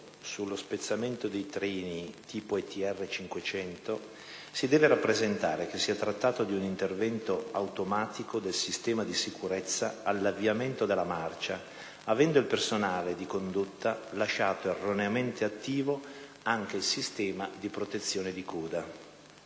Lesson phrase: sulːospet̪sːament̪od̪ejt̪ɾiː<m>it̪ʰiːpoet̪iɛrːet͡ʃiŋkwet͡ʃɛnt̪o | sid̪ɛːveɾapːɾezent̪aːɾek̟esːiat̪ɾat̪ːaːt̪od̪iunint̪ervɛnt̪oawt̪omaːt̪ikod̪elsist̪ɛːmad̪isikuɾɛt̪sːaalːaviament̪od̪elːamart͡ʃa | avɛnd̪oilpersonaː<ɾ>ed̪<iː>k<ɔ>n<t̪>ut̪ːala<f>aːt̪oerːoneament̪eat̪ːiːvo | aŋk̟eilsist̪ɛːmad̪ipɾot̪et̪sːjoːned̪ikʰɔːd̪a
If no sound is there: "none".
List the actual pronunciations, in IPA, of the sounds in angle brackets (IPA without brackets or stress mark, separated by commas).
n, l, i, o, d̪, ʃ